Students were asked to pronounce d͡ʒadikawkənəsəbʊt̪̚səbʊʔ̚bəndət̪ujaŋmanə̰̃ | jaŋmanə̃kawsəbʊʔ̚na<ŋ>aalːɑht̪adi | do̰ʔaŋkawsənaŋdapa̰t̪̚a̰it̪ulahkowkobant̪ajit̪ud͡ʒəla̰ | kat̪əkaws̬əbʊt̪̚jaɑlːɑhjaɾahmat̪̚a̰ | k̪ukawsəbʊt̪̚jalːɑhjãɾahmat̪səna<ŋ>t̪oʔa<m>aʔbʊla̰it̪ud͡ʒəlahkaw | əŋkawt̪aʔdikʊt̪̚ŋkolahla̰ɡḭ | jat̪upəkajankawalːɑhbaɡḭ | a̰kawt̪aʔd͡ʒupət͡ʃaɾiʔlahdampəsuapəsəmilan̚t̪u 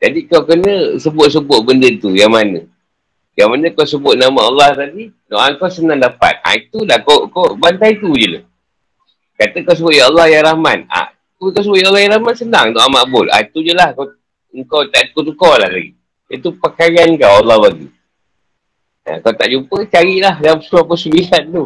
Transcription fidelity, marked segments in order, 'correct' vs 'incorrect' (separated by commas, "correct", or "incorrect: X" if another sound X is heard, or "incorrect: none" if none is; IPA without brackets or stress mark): incorrect: m, correct, correct